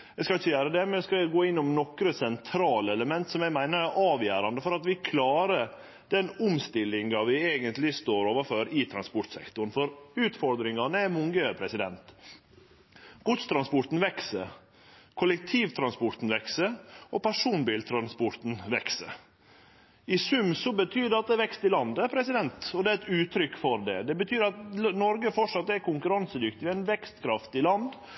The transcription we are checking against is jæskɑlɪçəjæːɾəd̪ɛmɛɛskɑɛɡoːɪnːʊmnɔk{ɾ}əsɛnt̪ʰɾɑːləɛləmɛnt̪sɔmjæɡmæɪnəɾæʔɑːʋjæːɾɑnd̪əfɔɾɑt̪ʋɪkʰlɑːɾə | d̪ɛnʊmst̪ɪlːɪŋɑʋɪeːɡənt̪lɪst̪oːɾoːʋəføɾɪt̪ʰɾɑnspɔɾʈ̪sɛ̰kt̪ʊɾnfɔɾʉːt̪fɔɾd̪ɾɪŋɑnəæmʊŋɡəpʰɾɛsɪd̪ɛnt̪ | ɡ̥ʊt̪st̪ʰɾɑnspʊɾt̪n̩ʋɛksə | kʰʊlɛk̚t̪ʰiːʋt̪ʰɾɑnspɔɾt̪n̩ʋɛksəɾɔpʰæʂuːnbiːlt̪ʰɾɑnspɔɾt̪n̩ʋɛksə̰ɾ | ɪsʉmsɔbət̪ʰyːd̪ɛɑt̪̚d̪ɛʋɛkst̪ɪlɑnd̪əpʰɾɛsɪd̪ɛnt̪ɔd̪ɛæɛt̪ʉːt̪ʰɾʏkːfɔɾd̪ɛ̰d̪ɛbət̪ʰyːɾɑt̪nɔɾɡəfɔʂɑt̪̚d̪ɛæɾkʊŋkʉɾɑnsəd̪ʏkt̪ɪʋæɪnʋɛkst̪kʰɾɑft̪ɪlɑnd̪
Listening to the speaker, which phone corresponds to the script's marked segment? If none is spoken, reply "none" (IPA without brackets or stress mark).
ɾ